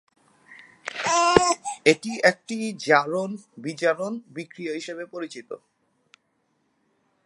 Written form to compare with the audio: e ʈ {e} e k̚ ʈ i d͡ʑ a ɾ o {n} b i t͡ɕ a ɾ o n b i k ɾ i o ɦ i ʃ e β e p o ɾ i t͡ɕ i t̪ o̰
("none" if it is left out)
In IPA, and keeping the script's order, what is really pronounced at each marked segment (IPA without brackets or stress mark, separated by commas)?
i, n